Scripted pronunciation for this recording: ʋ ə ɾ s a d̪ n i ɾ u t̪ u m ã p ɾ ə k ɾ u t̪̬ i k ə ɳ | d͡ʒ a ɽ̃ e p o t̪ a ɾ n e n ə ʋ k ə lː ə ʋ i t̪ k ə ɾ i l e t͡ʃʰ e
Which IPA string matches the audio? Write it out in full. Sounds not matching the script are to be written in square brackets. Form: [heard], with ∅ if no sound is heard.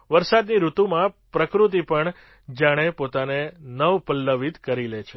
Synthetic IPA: ʋ ə ɾ s a d̪ n i ɾ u t̪ u m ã p ɾ ə k ɾ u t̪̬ i [p] ə ɳ | d͡ʒ a ɽ̃ e p o t̪ a [∅] n e n ə ʋ [p] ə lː ə ʋ i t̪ k ə ɾ i l e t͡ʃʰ e